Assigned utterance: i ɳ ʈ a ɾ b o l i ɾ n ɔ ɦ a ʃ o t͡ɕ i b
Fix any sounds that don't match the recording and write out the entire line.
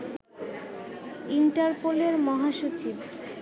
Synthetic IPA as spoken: i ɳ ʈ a ɾ p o l e ɾ m ɔ ɦ a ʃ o t͡ɕ i b